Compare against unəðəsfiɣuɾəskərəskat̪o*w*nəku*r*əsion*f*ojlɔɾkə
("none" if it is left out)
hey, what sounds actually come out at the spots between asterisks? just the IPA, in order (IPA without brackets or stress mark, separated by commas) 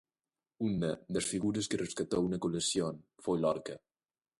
u, l, f